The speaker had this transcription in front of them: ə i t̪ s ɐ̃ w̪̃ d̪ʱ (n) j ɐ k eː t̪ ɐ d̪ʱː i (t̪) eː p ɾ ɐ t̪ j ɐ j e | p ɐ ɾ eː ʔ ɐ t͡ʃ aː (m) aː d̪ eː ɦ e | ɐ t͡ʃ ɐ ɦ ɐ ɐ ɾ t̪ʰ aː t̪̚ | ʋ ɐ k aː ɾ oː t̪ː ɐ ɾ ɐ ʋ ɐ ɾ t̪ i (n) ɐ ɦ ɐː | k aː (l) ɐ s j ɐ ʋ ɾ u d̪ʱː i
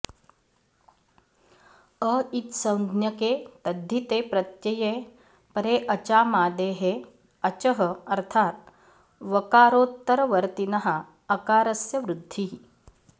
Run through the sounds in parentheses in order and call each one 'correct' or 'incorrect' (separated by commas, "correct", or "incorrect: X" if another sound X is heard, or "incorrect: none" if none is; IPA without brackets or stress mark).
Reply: correct, correct, correct, correct, incorrect: ɾ